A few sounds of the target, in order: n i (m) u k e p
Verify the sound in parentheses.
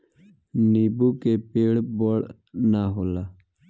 incorrect: b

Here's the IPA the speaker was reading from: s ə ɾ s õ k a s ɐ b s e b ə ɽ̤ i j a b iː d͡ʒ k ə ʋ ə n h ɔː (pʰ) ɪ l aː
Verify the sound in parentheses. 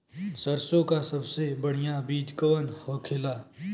incorrect: kʰ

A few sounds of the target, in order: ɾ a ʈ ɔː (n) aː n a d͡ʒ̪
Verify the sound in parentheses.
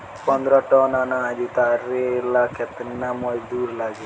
correct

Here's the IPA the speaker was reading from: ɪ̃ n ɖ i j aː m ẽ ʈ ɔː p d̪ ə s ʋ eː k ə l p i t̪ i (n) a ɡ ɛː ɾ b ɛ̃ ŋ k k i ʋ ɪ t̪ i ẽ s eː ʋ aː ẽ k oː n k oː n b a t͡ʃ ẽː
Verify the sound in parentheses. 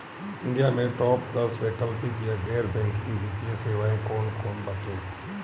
incorrect: none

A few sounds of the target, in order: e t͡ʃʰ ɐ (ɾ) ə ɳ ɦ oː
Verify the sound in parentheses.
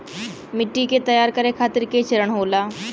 correct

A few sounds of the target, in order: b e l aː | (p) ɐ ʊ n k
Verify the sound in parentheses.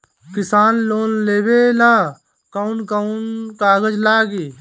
incorrect: k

